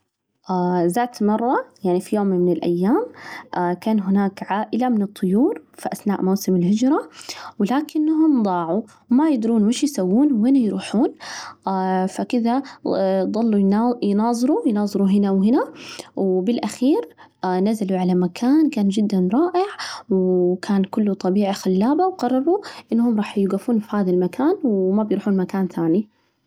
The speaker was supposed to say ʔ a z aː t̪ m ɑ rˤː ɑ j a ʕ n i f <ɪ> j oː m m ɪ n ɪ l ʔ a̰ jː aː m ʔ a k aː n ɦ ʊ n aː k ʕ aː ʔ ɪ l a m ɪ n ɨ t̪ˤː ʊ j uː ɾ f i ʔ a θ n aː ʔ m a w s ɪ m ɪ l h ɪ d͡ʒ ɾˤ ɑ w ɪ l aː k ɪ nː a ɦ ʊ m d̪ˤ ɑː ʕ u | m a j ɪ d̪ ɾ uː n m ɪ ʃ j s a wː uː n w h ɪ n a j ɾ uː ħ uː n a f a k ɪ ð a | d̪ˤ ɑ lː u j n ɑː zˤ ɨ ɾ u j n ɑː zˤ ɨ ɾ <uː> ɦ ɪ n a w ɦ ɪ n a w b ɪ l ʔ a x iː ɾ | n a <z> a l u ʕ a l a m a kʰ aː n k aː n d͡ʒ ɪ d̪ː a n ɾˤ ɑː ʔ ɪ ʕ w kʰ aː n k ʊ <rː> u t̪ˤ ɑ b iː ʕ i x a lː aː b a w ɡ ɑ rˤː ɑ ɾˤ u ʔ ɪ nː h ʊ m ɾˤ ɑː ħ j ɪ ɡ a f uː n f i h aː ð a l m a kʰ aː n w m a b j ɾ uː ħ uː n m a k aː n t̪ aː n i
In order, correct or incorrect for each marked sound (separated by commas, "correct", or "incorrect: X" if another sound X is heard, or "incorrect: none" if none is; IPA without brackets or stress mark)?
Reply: incorrect: i, incorrect: u, correct, incorrect: lː